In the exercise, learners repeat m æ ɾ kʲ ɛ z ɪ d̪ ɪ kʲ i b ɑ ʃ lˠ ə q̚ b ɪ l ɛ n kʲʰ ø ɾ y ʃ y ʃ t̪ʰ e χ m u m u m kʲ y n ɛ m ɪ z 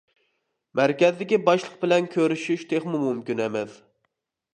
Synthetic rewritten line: m æ ɾ kʲ ɛ z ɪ d̪ ɪ kʲ i b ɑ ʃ lˠ ə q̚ b ɪ l ɛ n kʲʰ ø ɾ y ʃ y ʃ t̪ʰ e χ m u m u m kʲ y n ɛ m ɪ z

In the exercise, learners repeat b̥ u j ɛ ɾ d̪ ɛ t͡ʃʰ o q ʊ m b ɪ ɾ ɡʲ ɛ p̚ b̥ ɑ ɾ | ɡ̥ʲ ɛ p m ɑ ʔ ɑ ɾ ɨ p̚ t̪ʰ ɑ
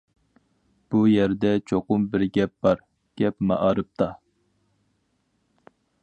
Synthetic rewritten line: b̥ u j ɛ ɾ d̪ ɛ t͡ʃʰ o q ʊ m b ɪ ɾ ɡʲ ɛ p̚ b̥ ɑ ɾ | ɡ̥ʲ ɛ p m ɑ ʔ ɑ ɾ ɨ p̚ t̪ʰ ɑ

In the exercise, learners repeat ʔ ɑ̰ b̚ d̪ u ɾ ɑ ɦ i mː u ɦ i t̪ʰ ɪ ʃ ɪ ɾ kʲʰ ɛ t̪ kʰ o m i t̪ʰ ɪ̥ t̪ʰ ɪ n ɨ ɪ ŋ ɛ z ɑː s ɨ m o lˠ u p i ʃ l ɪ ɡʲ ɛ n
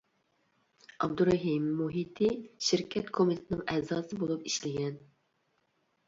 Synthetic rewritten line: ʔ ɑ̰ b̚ d̪ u ɾ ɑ ɦ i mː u ɦ i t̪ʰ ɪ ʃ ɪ ɾ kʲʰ ɛ t̪ kʰ o m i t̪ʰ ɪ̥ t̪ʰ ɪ n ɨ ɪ ŋ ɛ z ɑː s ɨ b o lˠ u p i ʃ l ɪ ɡʲ ɛ n

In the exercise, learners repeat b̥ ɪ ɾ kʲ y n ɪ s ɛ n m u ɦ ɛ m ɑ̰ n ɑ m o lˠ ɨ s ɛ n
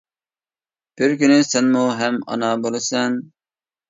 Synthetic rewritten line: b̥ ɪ ɾ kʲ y n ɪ s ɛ n m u ɦ ɛ m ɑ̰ n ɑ b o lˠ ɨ s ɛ n

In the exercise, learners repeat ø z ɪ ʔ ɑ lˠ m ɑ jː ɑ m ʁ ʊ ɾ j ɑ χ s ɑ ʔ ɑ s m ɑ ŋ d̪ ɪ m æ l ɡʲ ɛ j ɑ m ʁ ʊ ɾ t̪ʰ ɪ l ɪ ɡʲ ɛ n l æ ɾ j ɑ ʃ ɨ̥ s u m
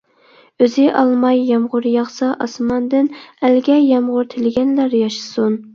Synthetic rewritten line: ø z ɪ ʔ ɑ lˠ m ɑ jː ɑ m ʁ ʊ ɾ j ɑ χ s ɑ ʔ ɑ s m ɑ n d̪ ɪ n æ l ɡʲ ɛ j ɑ m ʁ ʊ ɾ t̪ʰ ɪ l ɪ ɡʲ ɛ n l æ ɾ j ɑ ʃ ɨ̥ s u n

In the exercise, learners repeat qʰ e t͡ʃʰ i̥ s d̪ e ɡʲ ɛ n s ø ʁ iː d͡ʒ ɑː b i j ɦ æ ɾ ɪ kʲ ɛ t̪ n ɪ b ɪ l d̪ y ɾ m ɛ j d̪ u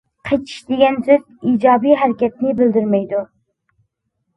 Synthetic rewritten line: qʰ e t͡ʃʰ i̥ ʃ d̪ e ɡʲ ɛ n s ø z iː d͡ʒ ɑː b i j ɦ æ ɾ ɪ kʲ ɛ t̪ n ɪ b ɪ l d̪ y ɾ m ɛ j d̪ u

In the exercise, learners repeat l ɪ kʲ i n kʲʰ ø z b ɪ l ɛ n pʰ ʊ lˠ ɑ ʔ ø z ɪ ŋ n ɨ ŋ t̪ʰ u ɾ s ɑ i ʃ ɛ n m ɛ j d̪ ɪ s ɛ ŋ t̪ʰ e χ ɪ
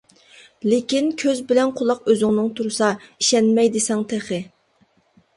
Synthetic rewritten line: l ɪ kʲ i n kʲʰ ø z b ɪ l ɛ n qʰ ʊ lˠ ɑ q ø z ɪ ŋ n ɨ ŋ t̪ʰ u ɾ s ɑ i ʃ ɛ n m ɛ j d̪ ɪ s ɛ ŋ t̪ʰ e χ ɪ

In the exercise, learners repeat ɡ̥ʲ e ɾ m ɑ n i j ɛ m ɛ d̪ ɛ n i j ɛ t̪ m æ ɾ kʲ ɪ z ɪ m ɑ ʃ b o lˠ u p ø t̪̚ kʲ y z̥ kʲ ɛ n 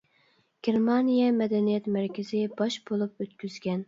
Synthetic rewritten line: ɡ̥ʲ e ɾ m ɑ n i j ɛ m ɛ d̪ ɛ n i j ɛ t̪ m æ ɾ kʲ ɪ z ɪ b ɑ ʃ b o lˠ u p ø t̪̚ kʲ y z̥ ɡʲ ɛ n

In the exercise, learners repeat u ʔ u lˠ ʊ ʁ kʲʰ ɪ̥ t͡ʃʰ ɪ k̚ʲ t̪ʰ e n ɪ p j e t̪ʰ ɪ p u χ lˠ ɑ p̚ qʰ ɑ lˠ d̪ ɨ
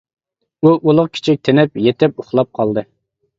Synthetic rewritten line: u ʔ u lˠ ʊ ʁ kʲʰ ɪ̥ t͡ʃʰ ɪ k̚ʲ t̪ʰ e n ɪ p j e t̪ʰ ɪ p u χ lˠ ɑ p̚ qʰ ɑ lˠ d̪ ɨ

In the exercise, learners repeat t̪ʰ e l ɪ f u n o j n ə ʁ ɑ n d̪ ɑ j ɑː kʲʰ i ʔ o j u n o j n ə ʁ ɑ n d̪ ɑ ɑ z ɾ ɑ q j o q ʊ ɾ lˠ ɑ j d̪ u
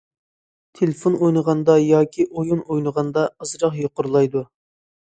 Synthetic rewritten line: t̪ʰ e l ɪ f o n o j n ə ʁ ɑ n d̪ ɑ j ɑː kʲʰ i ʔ o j u n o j n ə ʁ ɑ n d̪ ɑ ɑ z ɾ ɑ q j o q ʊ ɾ lˠ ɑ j d̪ u

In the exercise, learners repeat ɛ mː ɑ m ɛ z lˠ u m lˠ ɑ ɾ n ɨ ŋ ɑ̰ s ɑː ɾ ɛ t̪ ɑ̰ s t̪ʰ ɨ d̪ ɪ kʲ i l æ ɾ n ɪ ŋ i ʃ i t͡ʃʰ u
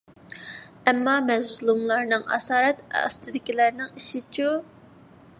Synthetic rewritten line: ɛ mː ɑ m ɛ z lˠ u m lˠ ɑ ɾ n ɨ ŋ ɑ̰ s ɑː ɾ ɛ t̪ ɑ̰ s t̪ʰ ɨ d̪ ɪ kʲ i l æ ɾ n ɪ ŋ i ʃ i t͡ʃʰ u

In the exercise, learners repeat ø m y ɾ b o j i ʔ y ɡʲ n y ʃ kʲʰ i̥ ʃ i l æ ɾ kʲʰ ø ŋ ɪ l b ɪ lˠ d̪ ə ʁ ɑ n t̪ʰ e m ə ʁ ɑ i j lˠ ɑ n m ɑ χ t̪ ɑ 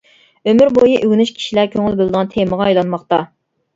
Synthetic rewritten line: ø m y ɾ b o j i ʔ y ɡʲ n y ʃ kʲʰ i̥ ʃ i l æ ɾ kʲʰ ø ŋ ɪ l b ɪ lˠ d̪ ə ʁ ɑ n t̪ʰ e m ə ʁ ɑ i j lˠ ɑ n m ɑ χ t̪ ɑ

